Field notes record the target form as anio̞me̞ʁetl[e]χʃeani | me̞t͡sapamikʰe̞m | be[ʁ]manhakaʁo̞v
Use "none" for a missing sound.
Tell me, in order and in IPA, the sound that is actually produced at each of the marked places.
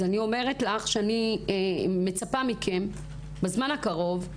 a, z

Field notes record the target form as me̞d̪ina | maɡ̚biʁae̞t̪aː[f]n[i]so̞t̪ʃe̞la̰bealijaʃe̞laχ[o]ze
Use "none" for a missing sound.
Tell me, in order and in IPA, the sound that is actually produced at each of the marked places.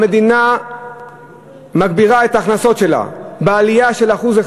χ, a, u

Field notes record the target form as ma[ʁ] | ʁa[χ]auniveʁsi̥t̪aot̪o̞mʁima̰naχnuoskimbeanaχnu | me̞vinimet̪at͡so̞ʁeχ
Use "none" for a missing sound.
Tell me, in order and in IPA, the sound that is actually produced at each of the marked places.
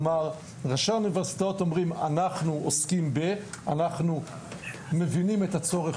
ʁ, ʃ

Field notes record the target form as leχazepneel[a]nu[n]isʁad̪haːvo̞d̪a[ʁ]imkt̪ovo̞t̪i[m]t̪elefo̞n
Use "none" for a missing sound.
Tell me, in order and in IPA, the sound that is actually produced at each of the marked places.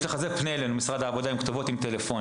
e, m, none, m

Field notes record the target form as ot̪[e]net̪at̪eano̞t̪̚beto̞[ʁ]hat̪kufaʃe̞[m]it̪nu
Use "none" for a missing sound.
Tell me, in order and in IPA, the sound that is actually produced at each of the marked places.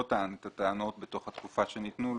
a, χ, n

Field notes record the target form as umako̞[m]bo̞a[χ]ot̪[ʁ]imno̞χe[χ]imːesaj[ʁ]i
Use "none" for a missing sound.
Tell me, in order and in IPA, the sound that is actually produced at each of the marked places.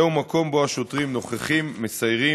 m, ʃ, ʁ, χ, ʁ

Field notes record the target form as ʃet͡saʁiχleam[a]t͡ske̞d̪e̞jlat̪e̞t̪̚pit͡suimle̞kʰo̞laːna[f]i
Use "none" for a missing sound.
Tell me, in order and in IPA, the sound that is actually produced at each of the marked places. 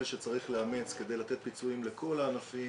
e, f

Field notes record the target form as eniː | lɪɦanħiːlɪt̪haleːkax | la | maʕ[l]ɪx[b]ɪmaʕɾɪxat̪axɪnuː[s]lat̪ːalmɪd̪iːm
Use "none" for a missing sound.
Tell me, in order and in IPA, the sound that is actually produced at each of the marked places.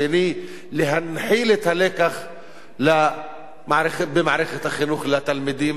ɾ, b, x

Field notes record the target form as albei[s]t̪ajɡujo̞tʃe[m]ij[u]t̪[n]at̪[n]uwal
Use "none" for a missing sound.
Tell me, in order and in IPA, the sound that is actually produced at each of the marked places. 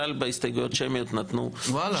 s, m, o, n, n

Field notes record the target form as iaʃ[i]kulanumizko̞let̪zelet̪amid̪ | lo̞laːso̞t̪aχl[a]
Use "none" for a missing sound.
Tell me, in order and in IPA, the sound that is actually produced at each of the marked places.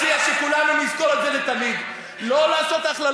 e, a

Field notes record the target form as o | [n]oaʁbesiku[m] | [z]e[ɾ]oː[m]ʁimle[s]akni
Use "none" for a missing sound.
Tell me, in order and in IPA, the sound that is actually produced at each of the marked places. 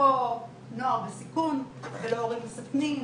n, n, v, l, none, s

